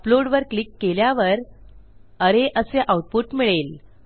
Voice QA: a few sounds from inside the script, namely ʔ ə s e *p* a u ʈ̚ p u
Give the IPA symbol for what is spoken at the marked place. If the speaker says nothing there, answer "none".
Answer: ʔ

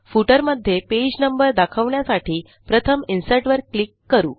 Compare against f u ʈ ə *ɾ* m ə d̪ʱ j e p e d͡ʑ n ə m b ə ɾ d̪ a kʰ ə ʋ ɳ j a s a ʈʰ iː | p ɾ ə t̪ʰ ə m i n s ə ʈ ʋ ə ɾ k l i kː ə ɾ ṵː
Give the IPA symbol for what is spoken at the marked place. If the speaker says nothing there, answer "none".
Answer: ɾ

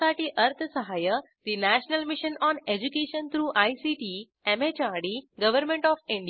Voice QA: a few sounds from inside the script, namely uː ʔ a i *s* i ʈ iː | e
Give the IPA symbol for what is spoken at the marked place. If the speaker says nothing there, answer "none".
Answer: s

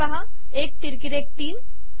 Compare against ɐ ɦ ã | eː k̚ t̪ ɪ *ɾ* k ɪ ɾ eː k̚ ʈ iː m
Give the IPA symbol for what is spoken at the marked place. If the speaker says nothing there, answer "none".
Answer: ɾ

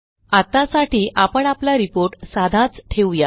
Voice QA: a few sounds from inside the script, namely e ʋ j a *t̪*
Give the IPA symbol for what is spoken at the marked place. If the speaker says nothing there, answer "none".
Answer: none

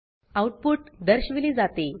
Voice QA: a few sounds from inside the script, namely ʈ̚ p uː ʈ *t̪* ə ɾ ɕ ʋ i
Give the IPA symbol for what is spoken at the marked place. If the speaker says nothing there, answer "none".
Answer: d̪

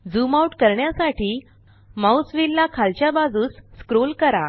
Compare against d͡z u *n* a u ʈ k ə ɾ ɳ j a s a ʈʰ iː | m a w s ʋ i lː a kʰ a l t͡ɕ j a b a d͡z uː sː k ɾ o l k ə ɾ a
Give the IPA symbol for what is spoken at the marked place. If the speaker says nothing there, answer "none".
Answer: m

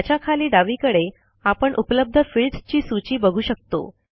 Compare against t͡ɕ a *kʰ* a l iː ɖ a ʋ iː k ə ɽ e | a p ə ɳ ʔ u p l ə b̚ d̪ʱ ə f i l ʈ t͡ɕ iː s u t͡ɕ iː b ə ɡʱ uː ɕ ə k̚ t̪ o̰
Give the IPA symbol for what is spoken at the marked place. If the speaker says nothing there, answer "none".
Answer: kʰ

